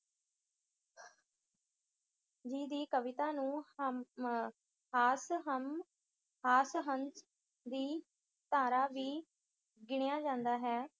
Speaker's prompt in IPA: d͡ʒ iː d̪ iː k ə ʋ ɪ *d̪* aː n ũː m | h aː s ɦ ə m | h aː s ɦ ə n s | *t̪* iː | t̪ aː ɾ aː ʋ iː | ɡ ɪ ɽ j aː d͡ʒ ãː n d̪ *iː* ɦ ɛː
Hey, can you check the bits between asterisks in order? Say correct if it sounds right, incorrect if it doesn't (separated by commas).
incorrect, incorrect, incorrect